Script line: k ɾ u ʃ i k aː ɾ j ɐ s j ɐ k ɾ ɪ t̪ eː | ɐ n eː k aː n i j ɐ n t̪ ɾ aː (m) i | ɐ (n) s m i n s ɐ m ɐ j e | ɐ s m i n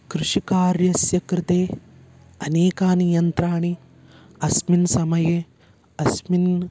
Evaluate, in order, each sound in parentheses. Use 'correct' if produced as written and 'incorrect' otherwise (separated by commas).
incorrect, incorrect